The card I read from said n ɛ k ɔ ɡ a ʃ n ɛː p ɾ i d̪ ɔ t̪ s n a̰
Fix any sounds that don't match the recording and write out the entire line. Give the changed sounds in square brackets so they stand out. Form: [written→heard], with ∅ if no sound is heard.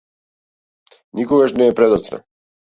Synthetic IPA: n [ɛ→i] k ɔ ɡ a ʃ n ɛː p ɾ [i→ɛ] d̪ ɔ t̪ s n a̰